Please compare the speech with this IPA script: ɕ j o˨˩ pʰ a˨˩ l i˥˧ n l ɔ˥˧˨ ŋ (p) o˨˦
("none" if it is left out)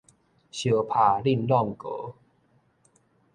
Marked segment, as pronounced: k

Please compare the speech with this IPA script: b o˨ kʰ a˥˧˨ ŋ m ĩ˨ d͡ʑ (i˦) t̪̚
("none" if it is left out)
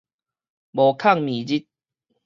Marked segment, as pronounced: i˦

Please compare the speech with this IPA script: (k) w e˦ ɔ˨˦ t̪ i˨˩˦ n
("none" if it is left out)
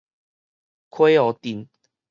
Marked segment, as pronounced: kʰ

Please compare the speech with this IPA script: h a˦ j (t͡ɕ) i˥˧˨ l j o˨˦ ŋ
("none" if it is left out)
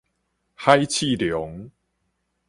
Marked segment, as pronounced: t͡ɕʰ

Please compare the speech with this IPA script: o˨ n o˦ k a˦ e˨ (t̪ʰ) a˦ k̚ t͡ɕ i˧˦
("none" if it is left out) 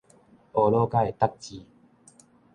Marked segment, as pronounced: t̪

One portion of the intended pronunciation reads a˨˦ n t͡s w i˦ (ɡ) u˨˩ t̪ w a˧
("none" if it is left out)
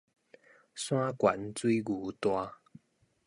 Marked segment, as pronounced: ɡ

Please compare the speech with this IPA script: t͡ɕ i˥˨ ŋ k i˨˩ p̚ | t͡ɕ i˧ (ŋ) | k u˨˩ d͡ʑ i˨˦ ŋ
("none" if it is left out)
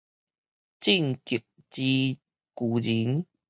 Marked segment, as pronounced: none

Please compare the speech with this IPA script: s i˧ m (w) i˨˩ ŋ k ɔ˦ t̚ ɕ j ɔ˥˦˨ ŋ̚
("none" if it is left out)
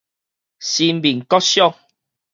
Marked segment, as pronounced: b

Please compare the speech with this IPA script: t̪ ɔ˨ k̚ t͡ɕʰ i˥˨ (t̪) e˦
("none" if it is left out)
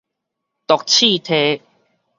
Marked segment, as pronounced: t̪ʰ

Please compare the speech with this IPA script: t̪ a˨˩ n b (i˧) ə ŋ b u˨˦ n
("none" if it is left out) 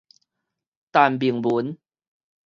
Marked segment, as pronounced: i˨˩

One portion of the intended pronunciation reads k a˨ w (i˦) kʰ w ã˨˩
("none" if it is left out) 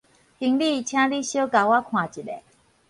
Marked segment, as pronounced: a˦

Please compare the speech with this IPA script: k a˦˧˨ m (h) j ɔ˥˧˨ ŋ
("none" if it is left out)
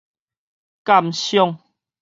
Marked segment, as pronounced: ɕ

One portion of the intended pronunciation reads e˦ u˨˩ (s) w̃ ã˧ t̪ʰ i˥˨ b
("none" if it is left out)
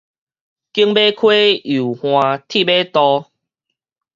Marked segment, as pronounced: h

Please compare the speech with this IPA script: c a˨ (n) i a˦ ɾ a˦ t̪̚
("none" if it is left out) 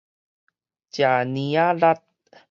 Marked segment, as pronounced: n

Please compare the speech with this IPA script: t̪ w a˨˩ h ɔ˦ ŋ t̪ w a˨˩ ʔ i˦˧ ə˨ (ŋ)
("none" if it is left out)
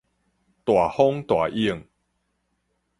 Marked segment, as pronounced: ŋ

